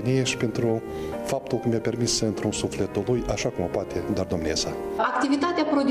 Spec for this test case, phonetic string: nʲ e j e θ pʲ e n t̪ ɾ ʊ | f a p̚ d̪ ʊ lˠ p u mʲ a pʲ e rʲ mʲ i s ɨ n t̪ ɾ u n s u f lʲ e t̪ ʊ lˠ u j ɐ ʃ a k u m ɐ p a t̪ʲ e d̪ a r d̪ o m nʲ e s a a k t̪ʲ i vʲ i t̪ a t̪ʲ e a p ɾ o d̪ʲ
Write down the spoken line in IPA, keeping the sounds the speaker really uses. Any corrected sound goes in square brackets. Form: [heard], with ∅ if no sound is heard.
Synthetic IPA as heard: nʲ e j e [ʃ] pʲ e n t̪ ɾ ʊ | f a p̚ [t̪] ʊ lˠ [k] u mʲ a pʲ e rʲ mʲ i s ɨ n t̪ ɾ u n s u f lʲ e t̪ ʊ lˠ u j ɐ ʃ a k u m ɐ p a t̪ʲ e d̪ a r d̪ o m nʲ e s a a k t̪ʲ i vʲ i t̪ a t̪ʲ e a p ɾ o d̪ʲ